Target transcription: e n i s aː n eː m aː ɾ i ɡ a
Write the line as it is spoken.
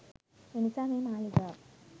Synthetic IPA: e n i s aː m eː m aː l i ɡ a